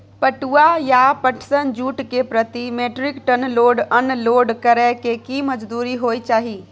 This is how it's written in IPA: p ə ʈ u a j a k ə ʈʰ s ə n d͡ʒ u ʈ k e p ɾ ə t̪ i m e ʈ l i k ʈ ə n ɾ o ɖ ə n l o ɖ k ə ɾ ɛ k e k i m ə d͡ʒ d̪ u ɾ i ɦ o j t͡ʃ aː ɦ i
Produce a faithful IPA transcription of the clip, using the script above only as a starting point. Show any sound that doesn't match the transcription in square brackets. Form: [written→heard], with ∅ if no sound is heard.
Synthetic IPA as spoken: p ə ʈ u a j a [k→p] ə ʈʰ s ə n d͡ʒ u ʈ k e p ɾ ə t̪ i m e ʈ [l→ɾ] i k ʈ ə n [ɾ→l] o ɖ ə n l o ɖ k ə ɾ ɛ k e k i m ə d͡ʒ d̪ u ɾ i ɦ o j t͡ʃ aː ɦ i